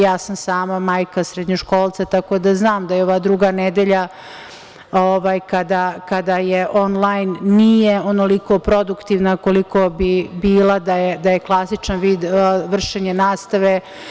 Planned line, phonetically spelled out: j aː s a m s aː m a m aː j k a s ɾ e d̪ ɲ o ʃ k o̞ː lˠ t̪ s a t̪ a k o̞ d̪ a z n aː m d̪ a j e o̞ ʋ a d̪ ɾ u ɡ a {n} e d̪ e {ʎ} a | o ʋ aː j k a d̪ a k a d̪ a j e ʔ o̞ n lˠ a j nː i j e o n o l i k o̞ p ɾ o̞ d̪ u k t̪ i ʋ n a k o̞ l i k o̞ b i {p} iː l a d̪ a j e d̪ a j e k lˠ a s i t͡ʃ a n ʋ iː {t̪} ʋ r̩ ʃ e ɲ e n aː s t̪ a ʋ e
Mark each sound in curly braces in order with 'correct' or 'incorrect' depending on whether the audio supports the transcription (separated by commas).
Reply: correct, correct, incorrect, incorrect